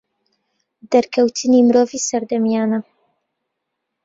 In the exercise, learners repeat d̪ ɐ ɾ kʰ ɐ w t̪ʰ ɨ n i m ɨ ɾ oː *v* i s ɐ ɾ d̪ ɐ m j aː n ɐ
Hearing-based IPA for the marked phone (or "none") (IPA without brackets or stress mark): v